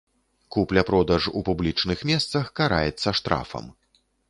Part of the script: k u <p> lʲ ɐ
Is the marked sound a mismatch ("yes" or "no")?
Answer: no